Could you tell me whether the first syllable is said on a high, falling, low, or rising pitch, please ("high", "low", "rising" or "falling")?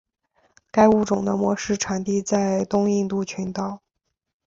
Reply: high